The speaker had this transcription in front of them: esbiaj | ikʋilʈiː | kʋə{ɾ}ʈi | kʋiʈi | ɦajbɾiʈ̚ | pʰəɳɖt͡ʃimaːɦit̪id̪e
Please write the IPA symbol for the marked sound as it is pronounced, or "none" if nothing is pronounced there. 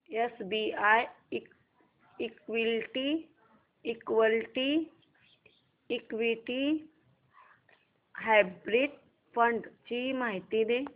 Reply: l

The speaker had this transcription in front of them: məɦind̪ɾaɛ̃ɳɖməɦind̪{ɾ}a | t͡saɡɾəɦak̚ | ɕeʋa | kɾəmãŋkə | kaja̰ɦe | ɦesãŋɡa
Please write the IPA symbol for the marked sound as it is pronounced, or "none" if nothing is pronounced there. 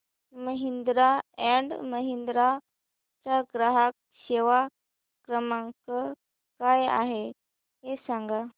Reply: ɾ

